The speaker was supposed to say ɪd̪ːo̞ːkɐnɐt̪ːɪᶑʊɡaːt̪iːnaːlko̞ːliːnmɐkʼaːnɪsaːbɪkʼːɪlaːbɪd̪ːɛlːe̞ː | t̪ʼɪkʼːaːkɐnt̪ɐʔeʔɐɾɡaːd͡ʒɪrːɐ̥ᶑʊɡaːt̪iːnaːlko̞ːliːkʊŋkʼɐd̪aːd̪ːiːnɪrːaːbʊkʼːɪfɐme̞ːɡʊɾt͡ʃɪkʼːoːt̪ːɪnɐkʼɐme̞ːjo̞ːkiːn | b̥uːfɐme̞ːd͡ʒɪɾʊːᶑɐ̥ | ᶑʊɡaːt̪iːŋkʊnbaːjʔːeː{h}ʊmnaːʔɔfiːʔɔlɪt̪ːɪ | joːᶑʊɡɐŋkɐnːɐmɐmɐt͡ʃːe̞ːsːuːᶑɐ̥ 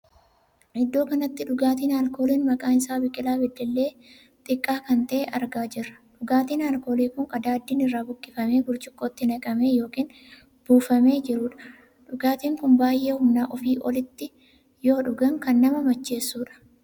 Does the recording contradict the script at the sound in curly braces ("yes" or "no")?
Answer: no